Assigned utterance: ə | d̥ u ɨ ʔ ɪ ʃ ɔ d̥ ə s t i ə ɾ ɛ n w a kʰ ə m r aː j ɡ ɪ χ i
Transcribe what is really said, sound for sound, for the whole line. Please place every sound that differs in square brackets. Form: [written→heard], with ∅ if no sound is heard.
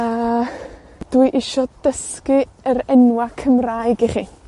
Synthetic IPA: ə | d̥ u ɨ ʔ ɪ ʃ ɔ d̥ ə s [t→k] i ə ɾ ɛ n w a kʰ ə m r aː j ɡ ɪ χ i